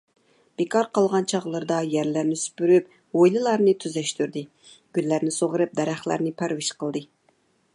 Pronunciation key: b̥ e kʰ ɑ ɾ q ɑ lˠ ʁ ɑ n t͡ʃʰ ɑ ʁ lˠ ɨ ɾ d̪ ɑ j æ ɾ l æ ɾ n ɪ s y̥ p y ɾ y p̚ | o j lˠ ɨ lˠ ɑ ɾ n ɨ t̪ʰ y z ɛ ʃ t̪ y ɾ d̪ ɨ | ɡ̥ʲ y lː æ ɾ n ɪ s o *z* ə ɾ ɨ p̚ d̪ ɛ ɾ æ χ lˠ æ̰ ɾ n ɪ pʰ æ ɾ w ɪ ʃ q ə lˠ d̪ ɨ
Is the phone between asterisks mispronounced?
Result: yes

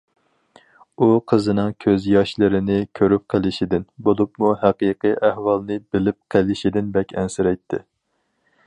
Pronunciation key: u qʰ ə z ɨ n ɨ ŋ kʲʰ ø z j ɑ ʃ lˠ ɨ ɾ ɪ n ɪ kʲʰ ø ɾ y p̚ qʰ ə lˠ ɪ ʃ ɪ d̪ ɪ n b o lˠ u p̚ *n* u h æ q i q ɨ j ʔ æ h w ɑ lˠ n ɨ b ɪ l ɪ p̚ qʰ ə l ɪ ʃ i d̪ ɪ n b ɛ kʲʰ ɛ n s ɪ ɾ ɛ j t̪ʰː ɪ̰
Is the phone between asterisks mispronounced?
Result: yes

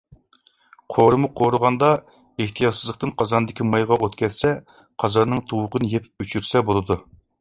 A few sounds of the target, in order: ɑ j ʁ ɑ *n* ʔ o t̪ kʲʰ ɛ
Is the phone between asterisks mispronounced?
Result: yes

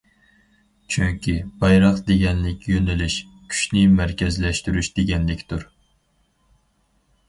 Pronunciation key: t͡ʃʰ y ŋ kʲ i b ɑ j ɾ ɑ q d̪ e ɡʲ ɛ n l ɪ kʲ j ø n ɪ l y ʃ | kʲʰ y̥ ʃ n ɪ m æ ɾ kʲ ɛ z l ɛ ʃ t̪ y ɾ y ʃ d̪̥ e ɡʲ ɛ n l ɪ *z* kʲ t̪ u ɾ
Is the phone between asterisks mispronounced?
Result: yes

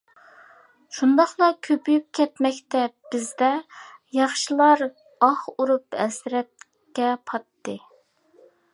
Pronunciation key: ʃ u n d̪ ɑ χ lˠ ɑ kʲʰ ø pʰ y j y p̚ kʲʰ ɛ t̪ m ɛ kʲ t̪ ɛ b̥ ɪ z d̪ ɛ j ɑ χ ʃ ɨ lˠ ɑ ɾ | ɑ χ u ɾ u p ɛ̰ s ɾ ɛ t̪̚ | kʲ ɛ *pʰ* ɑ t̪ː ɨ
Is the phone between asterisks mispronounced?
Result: no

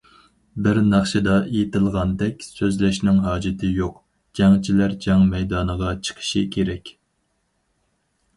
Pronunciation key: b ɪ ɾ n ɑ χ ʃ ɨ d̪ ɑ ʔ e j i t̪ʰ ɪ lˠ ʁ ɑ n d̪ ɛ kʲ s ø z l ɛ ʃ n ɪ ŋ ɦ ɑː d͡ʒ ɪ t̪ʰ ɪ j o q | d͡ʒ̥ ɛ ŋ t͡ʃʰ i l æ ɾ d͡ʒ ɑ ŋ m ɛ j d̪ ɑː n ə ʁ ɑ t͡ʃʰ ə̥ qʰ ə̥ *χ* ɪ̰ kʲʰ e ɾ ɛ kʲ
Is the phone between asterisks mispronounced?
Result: yes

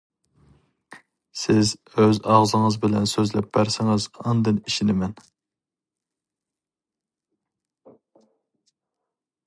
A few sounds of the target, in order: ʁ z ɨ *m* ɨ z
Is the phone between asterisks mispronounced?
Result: yes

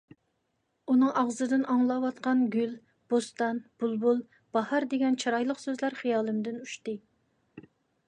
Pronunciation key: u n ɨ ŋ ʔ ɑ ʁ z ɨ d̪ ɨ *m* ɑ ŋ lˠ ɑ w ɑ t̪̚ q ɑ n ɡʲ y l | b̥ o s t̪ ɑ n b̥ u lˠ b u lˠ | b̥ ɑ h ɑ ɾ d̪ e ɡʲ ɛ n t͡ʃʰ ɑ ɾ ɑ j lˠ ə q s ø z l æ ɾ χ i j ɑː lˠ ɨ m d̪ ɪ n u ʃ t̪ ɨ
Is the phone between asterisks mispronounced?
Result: yes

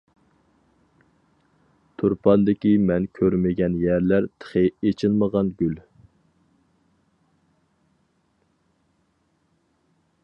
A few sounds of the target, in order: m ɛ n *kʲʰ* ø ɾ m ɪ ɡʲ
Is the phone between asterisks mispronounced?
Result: no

